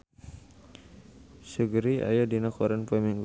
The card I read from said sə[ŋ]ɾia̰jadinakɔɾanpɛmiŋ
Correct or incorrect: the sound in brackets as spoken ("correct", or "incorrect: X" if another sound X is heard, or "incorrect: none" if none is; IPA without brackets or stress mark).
incorrect: ɡ